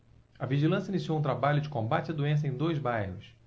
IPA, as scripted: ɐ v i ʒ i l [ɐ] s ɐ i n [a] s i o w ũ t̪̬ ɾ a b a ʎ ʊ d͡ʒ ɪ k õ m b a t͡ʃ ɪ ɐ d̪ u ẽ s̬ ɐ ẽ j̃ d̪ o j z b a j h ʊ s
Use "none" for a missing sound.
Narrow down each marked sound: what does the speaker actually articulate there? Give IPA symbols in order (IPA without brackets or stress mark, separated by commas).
ɐ̃, i